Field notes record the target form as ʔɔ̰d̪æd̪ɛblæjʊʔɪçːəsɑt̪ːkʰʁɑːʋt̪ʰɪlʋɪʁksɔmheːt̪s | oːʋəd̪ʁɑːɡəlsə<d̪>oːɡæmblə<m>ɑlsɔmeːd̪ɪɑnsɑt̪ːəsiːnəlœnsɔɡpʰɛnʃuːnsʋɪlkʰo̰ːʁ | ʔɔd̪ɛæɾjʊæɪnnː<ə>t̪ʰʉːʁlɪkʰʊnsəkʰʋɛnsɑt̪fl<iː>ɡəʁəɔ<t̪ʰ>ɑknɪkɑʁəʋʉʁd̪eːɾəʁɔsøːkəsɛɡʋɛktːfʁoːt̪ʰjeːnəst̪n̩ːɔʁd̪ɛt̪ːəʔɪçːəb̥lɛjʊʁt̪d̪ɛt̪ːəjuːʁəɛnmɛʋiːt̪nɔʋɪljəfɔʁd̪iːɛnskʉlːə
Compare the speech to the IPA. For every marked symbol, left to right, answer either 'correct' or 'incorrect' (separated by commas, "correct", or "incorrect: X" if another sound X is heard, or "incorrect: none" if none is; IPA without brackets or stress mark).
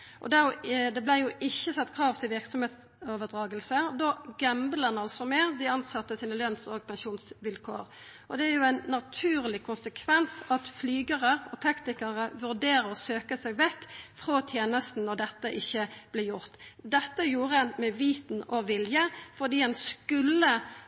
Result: correct, incorrect: n, incorrect: ɑ, incorrect: yː, correct